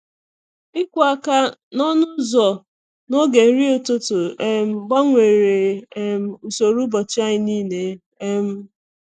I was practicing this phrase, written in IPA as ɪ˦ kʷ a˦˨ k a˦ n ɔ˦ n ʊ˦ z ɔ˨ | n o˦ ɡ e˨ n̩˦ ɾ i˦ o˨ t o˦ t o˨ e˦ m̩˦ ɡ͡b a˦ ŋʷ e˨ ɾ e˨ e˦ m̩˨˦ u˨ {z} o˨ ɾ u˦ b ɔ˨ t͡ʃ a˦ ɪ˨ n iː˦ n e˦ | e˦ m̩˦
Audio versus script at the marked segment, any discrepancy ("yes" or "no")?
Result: yes